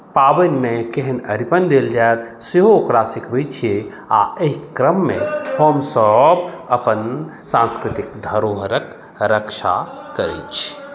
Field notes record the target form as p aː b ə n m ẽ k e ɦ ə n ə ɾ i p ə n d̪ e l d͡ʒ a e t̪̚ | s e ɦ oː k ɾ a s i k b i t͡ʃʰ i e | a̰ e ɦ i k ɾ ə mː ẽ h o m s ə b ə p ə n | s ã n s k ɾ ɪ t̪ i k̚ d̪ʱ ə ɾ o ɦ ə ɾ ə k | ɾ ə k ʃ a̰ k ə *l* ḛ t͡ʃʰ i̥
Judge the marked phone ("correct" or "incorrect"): incorrect